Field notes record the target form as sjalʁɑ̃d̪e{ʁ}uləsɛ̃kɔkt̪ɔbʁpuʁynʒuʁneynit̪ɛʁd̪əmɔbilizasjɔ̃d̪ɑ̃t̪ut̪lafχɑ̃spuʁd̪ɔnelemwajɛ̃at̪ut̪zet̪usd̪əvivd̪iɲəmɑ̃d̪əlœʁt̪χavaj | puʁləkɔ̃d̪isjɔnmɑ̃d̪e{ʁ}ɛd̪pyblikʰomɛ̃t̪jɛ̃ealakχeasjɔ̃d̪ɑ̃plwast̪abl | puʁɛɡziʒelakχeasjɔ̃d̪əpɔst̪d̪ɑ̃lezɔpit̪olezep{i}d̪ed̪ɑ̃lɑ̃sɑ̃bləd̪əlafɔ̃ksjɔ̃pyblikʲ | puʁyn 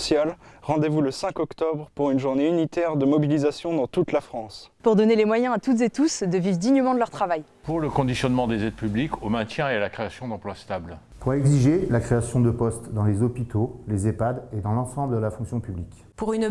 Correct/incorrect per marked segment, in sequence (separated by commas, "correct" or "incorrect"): incorrect, incorrect, incorrect